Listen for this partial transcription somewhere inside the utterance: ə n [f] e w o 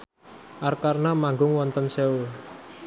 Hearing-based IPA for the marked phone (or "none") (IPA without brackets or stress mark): s